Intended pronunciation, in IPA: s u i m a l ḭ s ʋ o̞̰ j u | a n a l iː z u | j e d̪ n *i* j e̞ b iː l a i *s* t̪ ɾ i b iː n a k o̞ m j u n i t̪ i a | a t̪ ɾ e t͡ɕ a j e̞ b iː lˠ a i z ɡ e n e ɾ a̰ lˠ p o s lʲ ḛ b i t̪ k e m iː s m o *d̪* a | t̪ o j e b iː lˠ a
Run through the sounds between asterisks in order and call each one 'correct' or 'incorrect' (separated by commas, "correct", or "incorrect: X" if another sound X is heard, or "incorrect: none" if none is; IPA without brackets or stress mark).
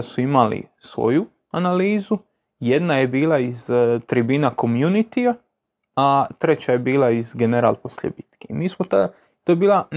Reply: incorrect: a, incorrect: z, incorrect: t̪